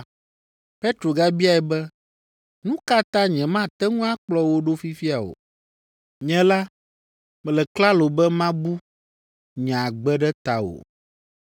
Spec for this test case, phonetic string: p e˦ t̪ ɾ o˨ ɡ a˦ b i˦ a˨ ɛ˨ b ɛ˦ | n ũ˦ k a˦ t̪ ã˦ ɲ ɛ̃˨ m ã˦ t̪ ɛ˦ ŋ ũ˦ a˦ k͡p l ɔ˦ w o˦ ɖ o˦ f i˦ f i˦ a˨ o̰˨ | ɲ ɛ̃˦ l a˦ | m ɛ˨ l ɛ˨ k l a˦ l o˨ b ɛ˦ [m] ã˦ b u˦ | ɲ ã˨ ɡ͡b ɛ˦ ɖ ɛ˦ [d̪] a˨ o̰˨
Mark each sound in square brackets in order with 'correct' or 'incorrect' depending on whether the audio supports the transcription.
correct, incorrect

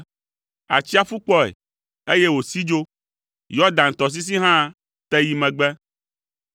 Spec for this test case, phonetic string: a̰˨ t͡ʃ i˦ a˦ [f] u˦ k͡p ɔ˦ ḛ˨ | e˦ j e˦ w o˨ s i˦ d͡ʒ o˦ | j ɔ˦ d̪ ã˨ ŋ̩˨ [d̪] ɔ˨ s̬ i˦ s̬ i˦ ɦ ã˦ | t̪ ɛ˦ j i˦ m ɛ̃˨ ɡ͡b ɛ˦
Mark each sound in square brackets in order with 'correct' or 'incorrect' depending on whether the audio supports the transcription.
correct, incorrect

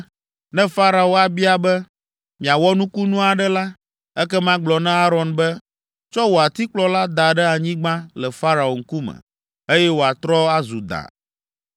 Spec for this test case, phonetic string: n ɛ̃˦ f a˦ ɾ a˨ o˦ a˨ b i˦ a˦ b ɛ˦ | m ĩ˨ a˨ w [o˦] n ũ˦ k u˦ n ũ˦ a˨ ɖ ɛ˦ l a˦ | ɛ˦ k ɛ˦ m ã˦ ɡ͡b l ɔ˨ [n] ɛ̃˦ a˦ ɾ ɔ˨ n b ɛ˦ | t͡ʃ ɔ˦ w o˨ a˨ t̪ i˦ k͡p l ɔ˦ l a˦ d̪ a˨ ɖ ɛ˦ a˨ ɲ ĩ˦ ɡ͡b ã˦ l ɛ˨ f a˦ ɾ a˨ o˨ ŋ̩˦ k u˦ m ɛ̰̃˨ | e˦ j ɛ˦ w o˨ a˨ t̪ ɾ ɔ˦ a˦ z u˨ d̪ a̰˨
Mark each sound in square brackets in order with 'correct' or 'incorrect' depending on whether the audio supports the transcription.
incorrect, correct

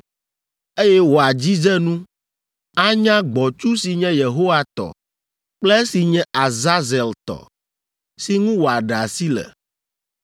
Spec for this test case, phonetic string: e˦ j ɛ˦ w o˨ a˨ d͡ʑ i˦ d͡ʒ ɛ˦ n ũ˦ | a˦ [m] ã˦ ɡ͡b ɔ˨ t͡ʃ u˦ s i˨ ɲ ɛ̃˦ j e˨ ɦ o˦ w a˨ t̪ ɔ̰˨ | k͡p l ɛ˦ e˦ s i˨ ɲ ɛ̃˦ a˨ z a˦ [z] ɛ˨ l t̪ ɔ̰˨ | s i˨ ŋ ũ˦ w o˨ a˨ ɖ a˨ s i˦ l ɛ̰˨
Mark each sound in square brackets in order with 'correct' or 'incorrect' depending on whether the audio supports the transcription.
incorrect, correct

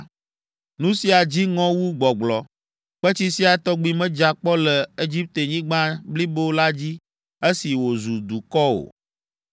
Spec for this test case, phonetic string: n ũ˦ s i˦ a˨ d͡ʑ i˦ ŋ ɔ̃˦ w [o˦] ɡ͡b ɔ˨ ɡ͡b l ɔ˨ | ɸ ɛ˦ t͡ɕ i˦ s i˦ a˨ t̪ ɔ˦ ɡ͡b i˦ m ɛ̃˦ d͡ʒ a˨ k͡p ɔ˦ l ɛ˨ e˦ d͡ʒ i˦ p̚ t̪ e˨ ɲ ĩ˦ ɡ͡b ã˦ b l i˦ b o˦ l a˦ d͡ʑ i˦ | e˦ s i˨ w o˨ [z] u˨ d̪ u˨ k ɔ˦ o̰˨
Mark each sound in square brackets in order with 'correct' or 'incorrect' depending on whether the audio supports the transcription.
incorrect, correct

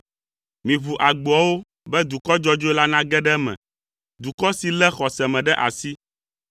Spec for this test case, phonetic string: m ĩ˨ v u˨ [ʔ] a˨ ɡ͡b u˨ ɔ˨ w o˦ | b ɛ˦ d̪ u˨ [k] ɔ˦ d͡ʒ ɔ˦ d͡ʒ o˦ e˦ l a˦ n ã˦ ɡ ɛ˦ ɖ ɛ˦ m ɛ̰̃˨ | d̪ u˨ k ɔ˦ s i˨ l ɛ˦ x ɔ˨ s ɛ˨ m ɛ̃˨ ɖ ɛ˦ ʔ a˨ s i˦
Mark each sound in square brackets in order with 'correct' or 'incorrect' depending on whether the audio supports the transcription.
correct, correct

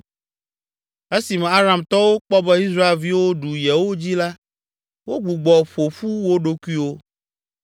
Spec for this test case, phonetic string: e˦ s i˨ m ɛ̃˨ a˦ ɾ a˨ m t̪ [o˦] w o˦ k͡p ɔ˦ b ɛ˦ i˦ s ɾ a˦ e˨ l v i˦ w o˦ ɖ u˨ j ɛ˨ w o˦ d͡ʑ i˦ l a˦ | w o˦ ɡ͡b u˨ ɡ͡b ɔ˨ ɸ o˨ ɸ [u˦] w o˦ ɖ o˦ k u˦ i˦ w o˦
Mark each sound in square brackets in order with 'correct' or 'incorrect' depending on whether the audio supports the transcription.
incorrect, correct

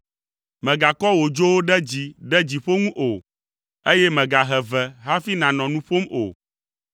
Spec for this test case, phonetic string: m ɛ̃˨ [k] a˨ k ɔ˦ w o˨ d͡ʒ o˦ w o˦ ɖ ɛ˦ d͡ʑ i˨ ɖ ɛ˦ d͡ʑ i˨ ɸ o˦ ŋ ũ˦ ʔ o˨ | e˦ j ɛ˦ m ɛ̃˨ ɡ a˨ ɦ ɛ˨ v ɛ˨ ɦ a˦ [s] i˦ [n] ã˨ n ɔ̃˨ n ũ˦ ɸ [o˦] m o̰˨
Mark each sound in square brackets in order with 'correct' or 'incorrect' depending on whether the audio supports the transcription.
incorrect, incorrect, correct, correct

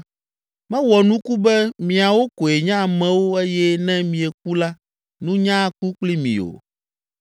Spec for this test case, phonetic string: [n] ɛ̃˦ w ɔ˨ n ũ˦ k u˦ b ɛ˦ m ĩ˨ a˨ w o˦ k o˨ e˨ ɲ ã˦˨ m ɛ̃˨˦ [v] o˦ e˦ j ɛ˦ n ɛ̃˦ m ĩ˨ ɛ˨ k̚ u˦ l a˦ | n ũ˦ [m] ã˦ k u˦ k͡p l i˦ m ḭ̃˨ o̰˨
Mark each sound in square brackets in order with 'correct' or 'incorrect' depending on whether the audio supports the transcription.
incorrect, incorrect, incorrect

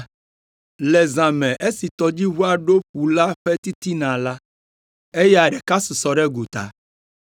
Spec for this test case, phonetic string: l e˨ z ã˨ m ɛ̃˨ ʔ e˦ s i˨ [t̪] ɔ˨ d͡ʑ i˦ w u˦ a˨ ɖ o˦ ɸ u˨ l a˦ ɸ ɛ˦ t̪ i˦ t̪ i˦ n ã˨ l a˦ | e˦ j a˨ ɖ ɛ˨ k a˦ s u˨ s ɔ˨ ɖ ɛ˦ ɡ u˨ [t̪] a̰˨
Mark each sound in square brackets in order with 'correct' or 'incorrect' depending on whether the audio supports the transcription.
correct, correct

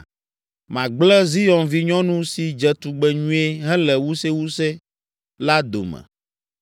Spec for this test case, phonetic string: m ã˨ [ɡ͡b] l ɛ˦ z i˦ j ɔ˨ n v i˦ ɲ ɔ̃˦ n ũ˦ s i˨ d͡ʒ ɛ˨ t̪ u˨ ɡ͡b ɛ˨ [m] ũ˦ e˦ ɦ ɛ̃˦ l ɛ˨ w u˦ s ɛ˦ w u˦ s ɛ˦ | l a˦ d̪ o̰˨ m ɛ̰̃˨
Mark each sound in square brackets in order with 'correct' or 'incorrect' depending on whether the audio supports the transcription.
correct, incorrect

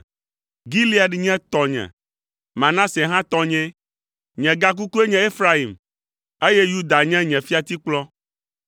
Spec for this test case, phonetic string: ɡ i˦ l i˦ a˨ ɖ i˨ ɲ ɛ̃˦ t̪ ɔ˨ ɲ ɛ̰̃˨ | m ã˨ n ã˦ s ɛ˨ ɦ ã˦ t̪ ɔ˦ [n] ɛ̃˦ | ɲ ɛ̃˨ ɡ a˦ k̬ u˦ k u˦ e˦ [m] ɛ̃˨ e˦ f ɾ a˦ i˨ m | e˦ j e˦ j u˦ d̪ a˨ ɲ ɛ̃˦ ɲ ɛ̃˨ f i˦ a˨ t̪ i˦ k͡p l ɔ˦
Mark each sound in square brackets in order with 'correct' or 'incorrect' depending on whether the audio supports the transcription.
incorrect, incorrect

